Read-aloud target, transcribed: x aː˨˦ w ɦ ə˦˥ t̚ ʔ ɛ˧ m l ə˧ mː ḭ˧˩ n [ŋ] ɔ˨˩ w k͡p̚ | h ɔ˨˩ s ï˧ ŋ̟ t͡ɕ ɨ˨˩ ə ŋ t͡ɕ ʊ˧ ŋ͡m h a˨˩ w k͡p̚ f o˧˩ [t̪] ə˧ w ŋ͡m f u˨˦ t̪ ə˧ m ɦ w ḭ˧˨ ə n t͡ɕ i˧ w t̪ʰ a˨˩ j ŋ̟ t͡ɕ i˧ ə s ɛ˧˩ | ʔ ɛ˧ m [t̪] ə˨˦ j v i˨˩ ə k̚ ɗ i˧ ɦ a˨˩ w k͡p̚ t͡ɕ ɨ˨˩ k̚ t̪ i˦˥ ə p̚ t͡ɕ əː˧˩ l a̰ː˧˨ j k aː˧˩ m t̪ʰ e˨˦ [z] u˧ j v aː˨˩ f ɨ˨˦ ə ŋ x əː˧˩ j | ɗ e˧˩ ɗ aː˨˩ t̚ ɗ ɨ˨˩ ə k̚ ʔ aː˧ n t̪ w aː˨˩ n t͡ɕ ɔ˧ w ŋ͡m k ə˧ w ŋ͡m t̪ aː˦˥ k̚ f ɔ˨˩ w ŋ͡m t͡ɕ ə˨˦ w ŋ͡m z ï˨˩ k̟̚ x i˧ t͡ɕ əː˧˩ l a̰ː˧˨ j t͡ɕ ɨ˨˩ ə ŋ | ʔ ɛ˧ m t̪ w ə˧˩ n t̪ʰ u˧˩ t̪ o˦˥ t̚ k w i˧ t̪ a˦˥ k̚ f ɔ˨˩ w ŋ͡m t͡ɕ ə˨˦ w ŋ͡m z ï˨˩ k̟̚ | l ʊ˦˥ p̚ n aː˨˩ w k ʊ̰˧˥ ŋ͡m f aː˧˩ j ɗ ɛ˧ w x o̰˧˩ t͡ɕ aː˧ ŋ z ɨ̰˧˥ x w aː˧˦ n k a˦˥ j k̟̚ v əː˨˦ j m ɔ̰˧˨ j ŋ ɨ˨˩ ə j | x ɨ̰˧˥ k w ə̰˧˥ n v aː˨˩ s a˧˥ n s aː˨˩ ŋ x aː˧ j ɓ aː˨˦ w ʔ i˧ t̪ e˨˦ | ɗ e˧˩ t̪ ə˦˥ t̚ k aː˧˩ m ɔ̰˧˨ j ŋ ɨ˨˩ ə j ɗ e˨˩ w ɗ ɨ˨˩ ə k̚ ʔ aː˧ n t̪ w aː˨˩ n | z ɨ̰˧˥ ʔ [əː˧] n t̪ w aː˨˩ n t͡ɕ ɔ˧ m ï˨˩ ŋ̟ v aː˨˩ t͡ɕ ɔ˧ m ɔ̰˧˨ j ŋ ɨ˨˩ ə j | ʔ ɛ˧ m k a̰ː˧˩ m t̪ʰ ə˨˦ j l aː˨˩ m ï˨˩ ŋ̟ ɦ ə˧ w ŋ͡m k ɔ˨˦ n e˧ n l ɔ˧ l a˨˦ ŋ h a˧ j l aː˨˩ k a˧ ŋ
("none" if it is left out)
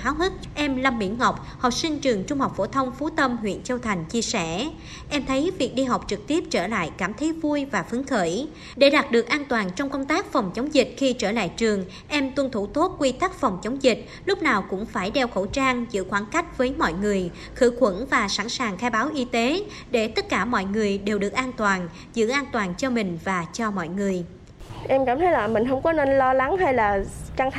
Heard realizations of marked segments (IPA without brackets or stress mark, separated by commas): ŋ, t̪ʰ, t̪ʰ, v, aː˧